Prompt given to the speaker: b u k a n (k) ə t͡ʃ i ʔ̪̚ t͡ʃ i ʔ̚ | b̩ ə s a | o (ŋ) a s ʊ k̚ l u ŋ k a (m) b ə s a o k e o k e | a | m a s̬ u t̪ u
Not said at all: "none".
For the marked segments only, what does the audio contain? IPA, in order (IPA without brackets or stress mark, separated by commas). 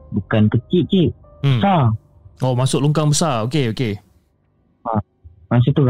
k, m, ŋ